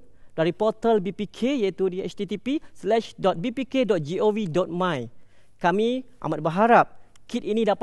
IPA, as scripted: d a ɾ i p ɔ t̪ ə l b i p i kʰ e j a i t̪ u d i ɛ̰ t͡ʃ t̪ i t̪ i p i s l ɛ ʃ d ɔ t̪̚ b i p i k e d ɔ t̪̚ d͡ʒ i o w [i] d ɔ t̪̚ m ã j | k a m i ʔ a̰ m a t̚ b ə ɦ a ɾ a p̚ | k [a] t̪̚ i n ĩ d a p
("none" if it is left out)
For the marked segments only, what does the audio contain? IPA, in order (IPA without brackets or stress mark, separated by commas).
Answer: i, i